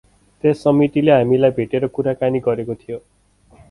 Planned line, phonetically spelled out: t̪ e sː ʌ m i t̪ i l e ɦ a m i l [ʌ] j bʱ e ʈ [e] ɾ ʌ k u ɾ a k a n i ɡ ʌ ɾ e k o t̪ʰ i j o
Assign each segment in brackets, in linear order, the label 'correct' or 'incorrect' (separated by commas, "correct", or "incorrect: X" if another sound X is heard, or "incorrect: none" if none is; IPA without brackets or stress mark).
incorrect: a, correct